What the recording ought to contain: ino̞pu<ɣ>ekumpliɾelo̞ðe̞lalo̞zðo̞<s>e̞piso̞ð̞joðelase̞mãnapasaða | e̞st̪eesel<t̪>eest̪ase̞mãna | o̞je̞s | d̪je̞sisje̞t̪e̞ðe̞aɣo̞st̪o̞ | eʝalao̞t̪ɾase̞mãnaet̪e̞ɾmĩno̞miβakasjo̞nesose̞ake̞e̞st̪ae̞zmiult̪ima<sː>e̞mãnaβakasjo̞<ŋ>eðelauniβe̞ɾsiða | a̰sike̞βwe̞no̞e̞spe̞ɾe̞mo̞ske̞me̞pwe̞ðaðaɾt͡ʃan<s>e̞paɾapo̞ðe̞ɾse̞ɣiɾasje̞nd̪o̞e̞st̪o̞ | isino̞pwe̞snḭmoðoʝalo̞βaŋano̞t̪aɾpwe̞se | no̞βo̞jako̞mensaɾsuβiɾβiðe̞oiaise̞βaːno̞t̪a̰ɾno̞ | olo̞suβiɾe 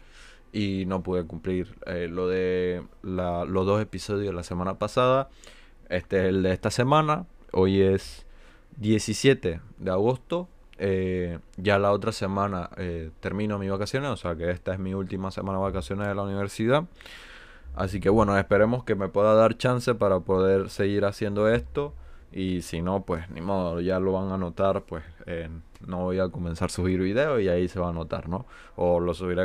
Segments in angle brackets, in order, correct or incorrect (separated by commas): incorrect, correct, incorrect, incorrect, incorrect, correct